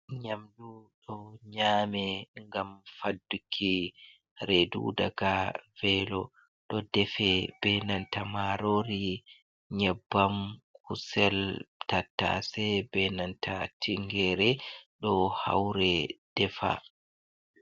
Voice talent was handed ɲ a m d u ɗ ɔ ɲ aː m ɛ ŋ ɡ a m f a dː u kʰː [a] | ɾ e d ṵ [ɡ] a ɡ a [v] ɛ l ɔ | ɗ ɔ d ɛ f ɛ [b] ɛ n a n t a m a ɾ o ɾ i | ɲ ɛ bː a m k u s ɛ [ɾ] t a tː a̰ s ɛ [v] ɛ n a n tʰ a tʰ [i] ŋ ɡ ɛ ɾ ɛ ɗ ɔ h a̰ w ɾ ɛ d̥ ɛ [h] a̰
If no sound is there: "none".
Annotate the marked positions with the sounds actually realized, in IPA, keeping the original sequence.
i, d, v, b, l, b, i, f

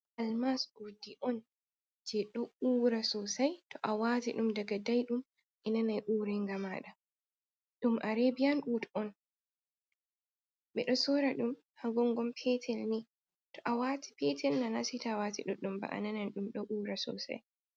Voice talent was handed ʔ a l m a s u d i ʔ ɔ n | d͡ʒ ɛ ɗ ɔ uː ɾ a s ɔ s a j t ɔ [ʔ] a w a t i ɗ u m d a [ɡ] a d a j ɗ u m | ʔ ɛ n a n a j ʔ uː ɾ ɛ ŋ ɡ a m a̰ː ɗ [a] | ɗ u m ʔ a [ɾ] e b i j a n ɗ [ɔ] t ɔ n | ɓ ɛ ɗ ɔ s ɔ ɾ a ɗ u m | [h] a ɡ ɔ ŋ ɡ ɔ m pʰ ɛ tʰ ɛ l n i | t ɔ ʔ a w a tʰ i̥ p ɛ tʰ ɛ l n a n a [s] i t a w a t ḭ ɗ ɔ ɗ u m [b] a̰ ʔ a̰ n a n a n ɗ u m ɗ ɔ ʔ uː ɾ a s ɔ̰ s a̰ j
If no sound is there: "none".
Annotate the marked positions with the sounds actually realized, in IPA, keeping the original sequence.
ʔ, ɡ, a, ɾ, u, h, s, b

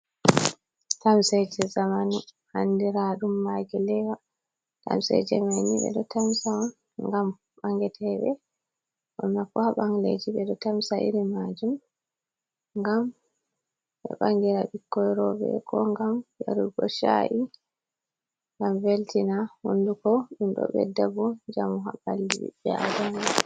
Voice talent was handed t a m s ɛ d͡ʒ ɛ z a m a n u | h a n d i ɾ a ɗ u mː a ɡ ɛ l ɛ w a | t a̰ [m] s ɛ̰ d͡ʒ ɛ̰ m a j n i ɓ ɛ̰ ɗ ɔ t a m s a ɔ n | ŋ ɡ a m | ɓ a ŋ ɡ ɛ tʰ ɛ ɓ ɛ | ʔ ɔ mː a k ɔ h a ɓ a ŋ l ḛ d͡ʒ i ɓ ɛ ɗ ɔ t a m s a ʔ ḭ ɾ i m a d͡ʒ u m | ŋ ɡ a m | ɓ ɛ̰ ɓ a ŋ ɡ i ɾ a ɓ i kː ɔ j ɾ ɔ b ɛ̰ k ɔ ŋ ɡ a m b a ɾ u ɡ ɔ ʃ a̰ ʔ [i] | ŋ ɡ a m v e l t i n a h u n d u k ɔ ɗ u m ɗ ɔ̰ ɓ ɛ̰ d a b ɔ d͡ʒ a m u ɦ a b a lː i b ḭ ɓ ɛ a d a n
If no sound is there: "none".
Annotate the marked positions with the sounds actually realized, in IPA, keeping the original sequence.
m, i

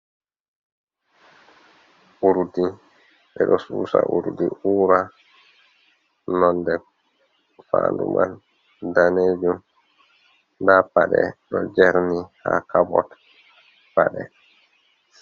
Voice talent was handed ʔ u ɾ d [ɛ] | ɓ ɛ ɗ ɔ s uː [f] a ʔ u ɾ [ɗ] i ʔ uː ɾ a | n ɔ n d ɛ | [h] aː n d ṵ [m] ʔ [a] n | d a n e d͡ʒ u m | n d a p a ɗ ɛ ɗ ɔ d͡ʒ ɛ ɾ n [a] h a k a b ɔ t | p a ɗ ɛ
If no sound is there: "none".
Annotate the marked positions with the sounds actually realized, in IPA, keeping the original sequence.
i, s, d, f, m, a, i

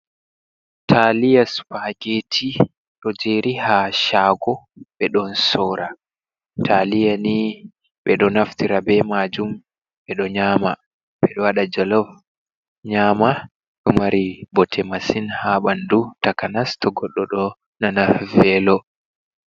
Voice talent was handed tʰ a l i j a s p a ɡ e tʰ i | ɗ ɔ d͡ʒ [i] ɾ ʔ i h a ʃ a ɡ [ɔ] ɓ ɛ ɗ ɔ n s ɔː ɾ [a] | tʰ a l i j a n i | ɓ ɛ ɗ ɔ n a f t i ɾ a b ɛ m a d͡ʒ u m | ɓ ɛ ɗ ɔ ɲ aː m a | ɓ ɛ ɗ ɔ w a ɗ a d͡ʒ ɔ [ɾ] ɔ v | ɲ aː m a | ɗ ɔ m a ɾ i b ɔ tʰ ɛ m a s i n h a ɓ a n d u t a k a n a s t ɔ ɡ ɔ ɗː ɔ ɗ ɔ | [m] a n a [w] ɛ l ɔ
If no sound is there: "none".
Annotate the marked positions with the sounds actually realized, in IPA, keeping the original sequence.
e, ɔ, a, l, n, v

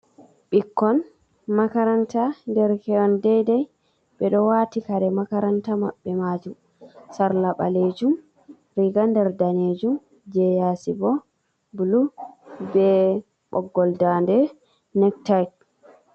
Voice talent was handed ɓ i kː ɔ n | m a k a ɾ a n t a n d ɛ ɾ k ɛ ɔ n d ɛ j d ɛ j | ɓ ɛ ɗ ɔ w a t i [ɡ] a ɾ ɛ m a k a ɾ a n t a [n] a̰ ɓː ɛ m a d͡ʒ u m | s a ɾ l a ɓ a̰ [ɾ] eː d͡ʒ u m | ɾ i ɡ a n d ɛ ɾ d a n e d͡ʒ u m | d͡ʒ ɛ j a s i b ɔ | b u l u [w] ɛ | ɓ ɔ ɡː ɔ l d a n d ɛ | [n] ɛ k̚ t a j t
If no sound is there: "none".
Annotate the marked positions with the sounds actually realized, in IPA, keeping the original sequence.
k, m, l, b, n

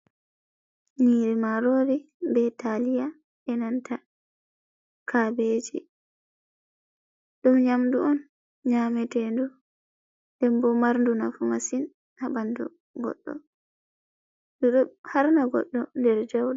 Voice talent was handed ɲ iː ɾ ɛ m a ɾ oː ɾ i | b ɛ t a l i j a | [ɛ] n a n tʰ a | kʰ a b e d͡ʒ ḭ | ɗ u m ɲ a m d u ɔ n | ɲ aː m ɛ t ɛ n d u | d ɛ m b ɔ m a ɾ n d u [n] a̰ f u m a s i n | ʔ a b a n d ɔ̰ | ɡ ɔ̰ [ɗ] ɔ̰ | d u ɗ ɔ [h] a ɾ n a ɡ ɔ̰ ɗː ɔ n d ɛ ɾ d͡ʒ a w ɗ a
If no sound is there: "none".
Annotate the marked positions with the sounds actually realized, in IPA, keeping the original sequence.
ɛ, n, ɗː, h

